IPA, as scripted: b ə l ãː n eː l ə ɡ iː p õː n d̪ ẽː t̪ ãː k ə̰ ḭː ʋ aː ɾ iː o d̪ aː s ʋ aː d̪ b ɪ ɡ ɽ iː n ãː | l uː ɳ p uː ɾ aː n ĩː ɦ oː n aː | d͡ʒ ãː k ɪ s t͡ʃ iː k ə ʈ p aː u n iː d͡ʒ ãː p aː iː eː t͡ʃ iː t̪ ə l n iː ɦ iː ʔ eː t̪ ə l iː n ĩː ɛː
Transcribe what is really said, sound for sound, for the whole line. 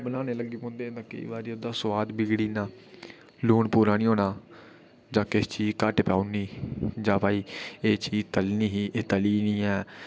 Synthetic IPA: b ə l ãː n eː l ə ɡ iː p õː n d̪ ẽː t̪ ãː k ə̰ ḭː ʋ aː ɾ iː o d̪ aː s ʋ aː d̪ b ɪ ɡ ɽ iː n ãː | l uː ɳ p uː ɾ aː n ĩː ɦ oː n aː | d͡ʒ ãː k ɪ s t͡ʃ iː k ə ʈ p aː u n iː d͡ʒ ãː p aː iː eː t͡ʃ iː t̪ ə l n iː ɦ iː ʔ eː t̪ ə l iː n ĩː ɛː